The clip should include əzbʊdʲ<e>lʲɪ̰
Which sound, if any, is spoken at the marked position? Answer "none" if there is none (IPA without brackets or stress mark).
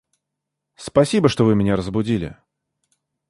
i